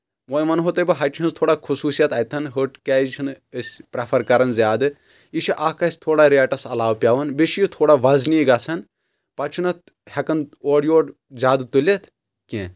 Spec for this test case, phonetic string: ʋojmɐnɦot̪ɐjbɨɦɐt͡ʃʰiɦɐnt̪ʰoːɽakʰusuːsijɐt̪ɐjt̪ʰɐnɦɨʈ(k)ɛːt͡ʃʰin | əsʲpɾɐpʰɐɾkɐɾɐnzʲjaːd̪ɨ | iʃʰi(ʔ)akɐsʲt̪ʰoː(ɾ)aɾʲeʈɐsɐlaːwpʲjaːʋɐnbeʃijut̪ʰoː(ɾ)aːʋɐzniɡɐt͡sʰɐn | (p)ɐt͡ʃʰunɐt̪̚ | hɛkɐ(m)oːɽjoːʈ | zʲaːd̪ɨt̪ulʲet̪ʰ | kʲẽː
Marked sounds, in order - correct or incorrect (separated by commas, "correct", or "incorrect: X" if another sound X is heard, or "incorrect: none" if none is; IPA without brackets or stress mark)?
correct, correct, incorrect: ɽ, incorrect: ɽ, correct, incorrect: n